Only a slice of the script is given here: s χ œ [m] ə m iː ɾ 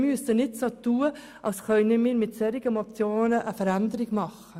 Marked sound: incorrect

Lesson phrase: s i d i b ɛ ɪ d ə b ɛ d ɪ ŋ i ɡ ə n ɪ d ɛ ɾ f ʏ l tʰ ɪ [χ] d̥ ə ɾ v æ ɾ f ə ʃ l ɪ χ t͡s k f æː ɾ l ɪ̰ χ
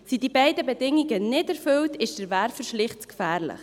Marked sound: incorrect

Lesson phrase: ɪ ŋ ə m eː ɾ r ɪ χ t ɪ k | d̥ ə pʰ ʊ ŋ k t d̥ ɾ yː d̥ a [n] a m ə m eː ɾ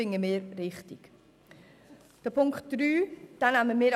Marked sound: correct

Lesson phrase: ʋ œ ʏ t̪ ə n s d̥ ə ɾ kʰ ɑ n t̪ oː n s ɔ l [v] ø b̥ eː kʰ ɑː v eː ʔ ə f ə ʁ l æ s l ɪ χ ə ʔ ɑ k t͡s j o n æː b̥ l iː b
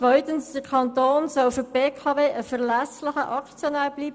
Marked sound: incorrect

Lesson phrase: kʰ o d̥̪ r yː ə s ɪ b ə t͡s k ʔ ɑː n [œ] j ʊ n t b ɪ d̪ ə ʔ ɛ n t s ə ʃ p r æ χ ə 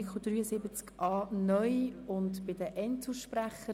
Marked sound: correct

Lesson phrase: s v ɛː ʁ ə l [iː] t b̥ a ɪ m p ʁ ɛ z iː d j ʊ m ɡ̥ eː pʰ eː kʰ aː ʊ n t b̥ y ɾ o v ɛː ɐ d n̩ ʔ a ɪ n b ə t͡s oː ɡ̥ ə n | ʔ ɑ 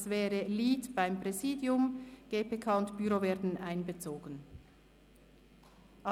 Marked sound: correct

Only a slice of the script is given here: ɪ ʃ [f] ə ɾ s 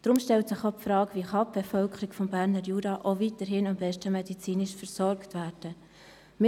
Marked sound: correct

